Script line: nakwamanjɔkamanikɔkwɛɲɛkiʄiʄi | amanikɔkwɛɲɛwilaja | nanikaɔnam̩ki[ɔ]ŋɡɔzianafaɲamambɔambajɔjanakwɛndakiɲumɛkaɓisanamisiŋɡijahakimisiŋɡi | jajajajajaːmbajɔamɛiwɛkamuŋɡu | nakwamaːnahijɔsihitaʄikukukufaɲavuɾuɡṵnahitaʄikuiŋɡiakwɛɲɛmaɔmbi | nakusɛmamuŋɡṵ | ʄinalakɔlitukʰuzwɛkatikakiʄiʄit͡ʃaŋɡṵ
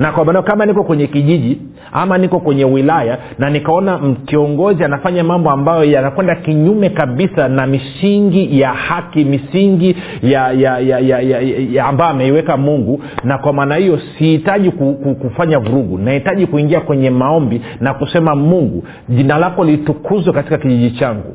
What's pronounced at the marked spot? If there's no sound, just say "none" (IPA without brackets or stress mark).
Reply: ɔ